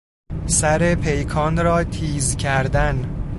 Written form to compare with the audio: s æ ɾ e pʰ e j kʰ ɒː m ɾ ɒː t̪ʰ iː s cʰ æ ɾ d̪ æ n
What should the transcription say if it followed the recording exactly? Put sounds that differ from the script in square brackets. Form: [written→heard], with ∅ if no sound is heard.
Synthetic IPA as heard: s æ ɾ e pʰ e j kʰ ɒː [m→n] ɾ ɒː t̪ʰ iː [s→z] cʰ æ ɾ d̪ æ n